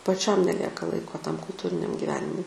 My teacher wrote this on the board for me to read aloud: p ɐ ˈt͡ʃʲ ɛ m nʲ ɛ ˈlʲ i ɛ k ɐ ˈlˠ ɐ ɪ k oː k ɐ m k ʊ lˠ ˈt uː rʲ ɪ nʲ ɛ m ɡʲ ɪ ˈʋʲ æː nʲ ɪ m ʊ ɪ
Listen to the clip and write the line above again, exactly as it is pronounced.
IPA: p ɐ ˈt͡ʃʲ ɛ m nʲ ɛ ˈlʲ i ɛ k ɐ ˈlˠ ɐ ɪ k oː t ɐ m k ʊ lˠ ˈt uː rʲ ɪ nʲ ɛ m ɡʲ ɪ ˈʋʲ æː nʲ ɪ m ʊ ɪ